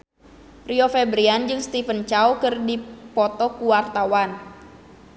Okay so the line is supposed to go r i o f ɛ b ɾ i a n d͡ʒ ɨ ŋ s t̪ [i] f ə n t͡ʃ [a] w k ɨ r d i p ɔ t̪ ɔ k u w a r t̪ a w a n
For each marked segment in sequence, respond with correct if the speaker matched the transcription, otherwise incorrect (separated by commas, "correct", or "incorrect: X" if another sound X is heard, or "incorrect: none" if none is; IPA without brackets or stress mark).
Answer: correct, correct